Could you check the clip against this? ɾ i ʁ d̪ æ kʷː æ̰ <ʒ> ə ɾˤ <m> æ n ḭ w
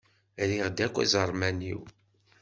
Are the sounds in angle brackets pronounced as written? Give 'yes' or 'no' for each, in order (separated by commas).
no, yes